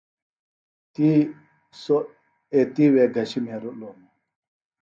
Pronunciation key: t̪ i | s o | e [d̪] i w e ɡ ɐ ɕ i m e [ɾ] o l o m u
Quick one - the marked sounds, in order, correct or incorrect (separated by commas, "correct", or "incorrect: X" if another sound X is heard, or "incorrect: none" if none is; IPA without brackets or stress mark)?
incorrect: t̪, correct